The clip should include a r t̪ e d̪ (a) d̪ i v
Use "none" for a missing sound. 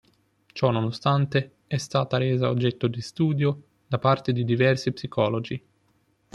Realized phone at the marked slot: i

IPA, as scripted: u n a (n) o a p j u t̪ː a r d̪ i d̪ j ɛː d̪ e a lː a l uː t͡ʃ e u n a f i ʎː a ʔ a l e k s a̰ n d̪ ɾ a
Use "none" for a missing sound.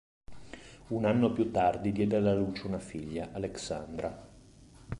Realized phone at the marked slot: nː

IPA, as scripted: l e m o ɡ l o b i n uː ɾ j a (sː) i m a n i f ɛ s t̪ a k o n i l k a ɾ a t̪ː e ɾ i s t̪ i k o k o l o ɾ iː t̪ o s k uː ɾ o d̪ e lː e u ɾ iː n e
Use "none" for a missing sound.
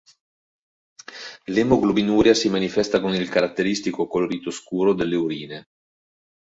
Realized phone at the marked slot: s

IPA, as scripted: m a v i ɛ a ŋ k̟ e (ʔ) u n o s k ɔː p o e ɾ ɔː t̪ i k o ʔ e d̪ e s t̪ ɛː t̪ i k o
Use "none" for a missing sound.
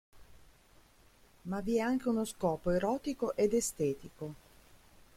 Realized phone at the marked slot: none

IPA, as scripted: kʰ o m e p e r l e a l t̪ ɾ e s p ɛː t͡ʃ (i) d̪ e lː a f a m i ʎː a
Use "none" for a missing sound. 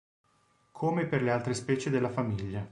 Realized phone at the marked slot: e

